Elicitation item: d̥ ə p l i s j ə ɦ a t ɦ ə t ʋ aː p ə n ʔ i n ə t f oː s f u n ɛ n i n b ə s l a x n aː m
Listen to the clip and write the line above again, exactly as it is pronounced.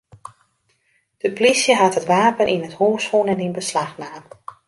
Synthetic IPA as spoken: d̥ ə p l i s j ə ɦ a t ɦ ə t ʋ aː p ə n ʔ i n ə t h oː s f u n ɛ n i n b ə s l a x n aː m